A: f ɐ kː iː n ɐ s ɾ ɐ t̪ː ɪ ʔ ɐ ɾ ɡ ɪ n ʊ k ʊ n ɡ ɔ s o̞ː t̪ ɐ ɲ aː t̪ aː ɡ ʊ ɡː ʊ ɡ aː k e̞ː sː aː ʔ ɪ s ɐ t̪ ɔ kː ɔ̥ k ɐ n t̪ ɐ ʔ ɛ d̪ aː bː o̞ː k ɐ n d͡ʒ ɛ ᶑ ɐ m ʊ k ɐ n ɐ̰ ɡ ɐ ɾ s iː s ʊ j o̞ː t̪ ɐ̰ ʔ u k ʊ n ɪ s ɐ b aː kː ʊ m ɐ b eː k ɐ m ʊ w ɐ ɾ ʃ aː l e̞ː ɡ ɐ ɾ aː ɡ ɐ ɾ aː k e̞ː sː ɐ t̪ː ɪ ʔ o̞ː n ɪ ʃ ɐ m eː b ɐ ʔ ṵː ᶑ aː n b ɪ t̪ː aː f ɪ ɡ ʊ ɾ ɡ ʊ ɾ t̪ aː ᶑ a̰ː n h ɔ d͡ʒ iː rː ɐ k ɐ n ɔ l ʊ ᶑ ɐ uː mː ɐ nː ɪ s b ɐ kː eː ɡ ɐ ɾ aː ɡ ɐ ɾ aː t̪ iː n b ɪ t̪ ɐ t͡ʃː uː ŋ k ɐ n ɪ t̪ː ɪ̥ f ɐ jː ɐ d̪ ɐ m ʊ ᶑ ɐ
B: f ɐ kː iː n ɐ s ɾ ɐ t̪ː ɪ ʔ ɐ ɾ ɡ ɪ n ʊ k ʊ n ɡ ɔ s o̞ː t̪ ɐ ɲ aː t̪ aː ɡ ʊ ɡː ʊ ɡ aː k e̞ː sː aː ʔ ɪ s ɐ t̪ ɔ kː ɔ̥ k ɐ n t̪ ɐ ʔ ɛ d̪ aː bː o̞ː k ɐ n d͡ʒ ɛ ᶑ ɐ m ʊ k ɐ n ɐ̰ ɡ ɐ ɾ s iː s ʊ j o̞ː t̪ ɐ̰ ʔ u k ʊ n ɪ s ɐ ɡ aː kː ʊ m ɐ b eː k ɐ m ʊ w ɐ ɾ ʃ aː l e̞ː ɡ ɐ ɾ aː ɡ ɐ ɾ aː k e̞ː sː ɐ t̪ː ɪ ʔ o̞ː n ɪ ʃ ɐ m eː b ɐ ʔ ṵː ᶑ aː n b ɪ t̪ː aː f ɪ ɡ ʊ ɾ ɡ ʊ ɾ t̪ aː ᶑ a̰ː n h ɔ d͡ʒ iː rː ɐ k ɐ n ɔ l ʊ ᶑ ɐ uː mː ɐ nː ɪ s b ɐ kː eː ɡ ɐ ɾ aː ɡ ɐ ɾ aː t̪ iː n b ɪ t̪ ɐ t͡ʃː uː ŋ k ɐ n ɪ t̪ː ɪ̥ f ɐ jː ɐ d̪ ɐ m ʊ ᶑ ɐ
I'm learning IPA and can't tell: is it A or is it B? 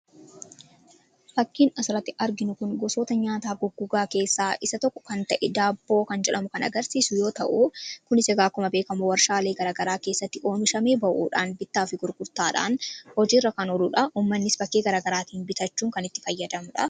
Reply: B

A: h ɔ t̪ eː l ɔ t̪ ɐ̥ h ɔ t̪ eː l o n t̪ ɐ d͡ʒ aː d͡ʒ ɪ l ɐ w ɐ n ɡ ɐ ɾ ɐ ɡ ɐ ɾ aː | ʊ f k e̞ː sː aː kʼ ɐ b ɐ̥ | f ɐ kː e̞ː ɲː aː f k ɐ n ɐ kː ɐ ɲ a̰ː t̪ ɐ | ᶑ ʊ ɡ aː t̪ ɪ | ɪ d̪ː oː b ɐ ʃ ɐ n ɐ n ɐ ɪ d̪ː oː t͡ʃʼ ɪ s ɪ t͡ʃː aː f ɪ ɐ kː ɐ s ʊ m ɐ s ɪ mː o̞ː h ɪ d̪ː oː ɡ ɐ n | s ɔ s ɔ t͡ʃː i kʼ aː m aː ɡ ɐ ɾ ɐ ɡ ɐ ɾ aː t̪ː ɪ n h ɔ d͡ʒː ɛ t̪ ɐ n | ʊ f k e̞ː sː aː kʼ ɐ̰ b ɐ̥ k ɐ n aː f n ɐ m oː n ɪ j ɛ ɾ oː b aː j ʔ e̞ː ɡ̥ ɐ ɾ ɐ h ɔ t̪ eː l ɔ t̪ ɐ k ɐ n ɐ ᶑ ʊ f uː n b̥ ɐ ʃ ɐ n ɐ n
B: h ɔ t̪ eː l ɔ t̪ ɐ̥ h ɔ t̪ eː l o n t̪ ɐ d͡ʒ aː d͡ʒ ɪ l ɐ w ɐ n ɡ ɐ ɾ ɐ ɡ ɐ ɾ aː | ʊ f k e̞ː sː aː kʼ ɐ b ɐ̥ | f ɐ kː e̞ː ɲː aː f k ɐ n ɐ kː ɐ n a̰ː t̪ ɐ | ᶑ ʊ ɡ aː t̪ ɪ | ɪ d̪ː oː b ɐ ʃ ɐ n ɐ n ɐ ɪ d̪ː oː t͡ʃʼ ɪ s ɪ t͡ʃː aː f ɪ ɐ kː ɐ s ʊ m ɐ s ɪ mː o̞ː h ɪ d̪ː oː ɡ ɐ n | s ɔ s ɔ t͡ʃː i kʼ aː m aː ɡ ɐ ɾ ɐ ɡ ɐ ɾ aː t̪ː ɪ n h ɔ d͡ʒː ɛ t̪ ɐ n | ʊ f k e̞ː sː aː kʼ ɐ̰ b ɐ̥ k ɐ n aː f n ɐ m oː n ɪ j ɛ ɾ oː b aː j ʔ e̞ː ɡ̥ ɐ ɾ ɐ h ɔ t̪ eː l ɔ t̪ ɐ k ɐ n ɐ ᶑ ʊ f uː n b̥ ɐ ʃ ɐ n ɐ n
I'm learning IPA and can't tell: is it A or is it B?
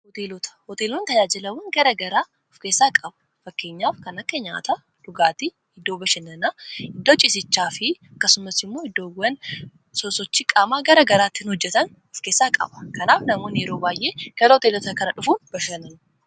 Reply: A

